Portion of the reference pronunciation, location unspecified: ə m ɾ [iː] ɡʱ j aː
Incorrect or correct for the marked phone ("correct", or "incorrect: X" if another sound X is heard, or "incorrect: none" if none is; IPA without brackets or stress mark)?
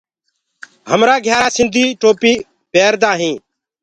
incorrect: aː